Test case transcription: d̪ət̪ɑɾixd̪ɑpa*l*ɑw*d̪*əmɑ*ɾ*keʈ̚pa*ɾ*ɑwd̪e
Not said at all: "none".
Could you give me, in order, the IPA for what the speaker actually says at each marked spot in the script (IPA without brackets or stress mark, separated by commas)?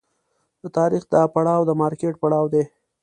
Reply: ɽ, d̪, ɾ, ɽ